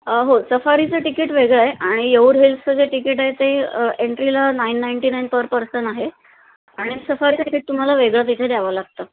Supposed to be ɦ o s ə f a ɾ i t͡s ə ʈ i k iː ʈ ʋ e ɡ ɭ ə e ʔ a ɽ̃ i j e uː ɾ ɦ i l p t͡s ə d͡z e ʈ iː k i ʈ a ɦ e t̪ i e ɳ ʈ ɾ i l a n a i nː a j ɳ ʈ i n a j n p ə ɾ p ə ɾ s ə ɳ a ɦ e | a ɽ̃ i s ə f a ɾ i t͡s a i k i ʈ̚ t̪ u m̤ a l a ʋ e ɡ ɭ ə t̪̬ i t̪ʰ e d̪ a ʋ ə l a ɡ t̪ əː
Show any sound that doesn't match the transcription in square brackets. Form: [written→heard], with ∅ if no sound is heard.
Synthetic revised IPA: ɦ o s ə f a ɾ i t͡s ə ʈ i k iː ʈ ʋ e ɡ ɭ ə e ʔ a ɽ̃ i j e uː ɾ ɦ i l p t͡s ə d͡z e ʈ [iː→i] k i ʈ a ɦ e t̪ [i→e] e ɳ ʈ ɾ i l a n a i nː a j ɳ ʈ i n a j n p ə ɾ p ə ɾ s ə ɳ a ɦ e | a ɽ̃ i s ə f a ɾ i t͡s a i k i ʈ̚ t̪ u m̤ a l a ʋ e ɡ ɭ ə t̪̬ i t̪ʰ e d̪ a ʋ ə l a ɡ t̪ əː